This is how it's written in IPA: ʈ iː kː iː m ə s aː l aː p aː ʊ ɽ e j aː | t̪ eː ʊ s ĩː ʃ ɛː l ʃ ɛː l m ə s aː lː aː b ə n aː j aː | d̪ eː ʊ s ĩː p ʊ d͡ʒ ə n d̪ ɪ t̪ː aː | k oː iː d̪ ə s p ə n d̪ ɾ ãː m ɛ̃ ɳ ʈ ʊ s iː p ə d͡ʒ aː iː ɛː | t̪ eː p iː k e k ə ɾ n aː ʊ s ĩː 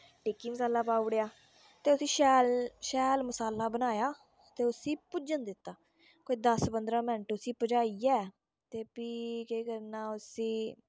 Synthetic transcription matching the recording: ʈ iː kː iː m ə s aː l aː p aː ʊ ɽ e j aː | t̪ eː ʊ s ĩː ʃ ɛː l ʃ ɛː l m ə s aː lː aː b ə n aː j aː | t̪ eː ʊ s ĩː p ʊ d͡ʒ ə n d̪ ɪ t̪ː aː | k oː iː d̪ ə s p ə n d̪ ɾ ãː m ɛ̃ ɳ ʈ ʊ s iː p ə d͡ʒ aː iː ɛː | t̪ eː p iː k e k ə ɾ n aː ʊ s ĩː